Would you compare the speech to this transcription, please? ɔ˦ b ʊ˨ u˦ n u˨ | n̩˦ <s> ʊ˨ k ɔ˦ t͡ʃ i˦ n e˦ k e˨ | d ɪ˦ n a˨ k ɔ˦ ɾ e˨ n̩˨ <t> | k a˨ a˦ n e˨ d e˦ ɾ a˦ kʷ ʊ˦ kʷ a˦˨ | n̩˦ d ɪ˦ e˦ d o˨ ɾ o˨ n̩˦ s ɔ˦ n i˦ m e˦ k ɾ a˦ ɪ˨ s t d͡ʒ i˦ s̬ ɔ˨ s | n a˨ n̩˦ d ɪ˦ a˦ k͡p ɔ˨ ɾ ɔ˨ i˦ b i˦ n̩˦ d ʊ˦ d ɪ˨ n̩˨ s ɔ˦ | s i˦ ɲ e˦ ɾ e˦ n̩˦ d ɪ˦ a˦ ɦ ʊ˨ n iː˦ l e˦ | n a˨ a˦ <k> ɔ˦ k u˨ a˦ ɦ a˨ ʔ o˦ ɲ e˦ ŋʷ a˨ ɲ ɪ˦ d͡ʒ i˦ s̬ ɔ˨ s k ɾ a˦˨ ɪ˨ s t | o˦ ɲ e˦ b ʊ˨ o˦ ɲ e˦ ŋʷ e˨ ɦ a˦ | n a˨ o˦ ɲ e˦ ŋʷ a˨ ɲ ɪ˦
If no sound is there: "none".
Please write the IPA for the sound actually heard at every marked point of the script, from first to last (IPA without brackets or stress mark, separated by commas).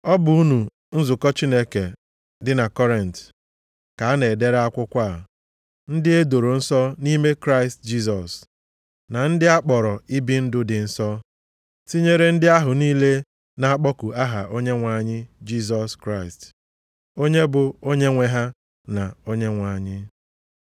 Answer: z, t, k͡p